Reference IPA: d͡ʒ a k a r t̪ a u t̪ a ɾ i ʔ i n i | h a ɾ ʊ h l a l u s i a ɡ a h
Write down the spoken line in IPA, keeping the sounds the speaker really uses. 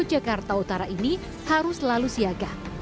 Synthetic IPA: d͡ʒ a k a r t̪ a u t̪ a ɾ a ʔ i n i | h a ɾ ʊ s l a l u s i a ɡ a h